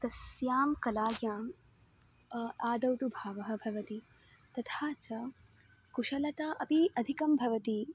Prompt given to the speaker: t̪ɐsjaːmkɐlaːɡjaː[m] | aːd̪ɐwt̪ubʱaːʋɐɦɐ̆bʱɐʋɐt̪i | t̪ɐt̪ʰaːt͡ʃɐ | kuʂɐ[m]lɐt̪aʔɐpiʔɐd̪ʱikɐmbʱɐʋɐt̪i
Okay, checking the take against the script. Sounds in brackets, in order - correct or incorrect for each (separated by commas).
correct, incorrect